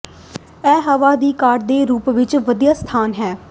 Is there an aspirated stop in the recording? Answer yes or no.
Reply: yes